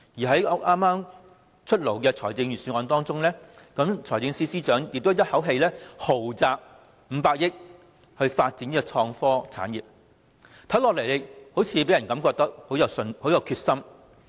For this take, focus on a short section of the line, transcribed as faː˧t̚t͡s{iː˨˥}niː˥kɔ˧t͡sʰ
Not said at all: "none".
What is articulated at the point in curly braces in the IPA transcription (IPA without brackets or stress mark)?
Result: i˨˥